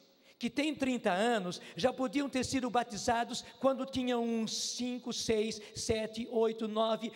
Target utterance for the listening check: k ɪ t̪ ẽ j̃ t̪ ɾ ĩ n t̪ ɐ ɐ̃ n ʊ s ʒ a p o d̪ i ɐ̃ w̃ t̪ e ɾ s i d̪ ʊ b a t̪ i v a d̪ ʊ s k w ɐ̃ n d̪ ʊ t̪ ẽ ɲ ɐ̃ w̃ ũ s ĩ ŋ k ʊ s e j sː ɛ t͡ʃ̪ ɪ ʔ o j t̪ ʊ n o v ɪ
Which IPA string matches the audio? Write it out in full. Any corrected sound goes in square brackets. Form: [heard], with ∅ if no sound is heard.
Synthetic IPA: k ɪ t̪ ẽ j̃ t̪ ɾ ĩ n t̪ ɐ ɐ̃ n ʊ s ʒ a p o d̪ i ɐ̃ w̃ t̪ e ɾ s i d̪ ʊ b a t̪ i [z] a d̪ ʊ s k w ɐ̃ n d̪ ʊ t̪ [ĩ] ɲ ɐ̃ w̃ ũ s ĩ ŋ k ʊ s e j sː ɛ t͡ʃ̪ ɪ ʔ o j t̪ ʊ n [ɔ] v ɪ